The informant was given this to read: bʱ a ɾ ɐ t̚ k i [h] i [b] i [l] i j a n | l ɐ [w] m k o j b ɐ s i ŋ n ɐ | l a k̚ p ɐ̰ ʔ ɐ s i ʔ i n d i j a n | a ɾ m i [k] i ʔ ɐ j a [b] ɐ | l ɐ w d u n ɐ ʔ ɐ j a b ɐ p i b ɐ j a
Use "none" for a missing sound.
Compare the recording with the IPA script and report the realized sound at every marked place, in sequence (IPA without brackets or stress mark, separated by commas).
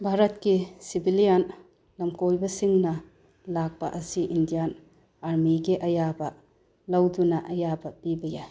s, b, l, none, ɡ, b